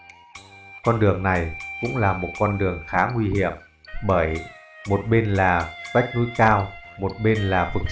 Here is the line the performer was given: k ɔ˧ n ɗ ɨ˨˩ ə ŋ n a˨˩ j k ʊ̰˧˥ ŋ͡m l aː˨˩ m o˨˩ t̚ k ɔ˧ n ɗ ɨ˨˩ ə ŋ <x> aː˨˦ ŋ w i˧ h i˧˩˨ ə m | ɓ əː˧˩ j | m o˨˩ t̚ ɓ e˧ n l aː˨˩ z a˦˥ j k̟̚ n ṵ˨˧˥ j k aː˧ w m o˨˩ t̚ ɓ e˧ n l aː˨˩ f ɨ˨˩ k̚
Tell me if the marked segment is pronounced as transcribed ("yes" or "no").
yes